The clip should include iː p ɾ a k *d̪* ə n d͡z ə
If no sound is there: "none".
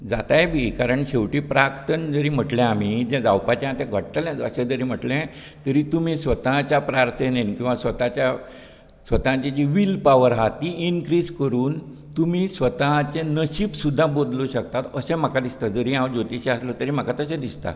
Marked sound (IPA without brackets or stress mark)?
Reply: t̪